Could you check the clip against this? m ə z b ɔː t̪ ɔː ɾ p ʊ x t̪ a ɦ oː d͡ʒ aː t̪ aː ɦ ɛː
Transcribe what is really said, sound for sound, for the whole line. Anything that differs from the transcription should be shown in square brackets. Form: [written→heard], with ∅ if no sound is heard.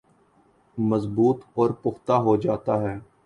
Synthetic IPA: m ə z b [ɔː→uː] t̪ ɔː ɾ p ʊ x t̪ a ɦ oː d͡ʒ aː t̪ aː ɦ ɛː